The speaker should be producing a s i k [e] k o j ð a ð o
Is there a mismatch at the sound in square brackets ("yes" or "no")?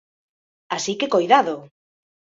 no